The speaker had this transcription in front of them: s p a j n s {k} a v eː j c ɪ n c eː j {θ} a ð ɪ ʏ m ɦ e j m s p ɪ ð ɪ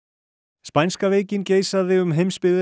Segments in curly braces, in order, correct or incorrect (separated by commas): correct, incorrect